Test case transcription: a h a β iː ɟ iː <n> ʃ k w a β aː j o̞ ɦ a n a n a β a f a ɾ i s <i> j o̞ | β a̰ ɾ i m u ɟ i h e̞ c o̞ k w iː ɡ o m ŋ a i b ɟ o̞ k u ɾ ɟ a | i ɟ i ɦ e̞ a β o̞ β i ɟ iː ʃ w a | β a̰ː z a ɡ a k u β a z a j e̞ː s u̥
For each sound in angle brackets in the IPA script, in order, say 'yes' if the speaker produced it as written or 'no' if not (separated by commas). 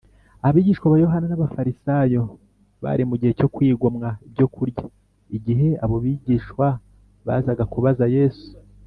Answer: no, no